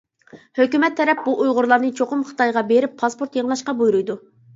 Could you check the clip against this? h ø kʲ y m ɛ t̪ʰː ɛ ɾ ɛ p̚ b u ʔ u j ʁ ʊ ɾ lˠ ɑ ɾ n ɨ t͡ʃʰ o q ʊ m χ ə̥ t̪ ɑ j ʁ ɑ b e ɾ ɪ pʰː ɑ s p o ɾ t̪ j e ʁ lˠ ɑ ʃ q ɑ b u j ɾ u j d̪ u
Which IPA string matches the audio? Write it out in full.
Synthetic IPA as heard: h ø kʲ y m ɛ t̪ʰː ɛ ɾ ɛ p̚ b u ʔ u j ʁ ʊ ɾ lˠ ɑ ɾ n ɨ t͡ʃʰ o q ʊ m χ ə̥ t̪ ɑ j ʁ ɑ b e ɾ ɪ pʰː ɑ s p o ɾ t̪ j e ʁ lˠ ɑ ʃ q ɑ b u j ɾ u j d̪ u

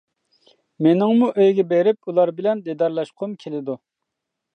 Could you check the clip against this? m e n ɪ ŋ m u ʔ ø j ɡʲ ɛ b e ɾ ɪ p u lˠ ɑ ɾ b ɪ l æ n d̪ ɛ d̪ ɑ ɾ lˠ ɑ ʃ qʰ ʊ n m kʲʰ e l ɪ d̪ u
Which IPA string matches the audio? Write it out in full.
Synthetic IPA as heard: m e n ɪ ŋ m u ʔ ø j ɡʲ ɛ b e ɾ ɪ p u lˠ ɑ ɾ b ɪ l ɛ n d̪ e d̪ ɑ ɾ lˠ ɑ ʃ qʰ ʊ m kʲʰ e l ɪ d̪ u

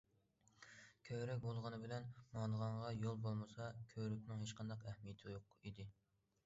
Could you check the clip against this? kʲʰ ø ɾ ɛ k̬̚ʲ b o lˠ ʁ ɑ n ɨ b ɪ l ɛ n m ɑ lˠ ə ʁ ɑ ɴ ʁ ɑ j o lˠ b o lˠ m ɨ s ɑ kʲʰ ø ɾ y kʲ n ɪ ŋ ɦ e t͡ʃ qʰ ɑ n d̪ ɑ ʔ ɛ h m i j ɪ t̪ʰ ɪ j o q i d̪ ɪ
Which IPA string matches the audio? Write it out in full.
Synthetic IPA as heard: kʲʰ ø ɾ ɛ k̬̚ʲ b o lˠ ʁ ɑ n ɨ b ɪ l ɛ n m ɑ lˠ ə ʁ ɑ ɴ ʁ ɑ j o lˠ b o lˠ m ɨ s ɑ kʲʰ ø ɾ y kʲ n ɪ ŋ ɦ e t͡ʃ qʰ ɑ n d̪ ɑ q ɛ h m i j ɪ t̪ʰ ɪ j o q i d̪ ɪ

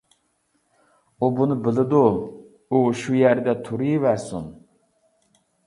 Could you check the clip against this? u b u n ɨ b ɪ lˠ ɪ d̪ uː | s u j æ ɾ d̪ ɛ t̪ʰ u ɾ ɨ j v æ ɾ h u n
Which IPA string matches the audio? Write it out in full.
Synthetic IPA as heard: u b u n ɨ b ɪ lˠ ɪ d̪ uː | ʃ u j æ ɾ d̪ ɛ t̪ʰ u ɾ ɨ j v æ ɾ s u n

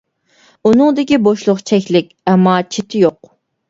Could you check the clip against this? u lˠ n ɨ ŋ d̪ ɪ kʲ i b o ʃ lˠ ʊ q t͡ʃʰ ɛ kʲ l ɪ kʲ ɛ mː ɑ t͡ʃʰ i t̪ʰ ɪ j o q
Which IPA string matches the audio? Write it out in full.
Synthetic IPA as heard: u n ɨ ŋ d̪ ɪ kʲ i b o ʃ lˠ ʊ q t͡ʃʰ ɛ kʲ l ɪ kʲ ɛ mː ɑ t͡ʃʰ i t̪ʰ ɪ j o q

